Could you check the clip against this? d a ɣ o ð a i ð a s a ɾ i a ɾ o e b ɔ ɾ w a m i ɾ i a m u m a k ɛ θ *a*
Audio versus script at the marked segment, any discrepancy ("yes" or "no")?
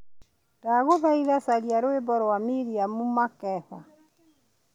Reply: no